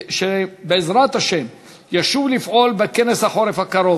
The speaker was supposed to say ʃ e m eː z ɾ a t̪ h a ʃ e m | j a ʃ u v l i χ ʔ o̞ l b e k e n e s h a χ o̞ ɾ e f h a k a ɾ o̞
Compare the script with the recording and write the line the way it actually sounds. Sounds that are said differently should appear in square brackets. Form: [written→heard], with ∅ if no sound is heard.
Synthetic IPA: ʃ e [m→b] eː z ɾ a t̪ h a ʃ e m | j a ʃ u v l i [χ→f] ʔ o̞ l b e k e n e s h a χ o̞ ɾ e f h a k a ɾ o̞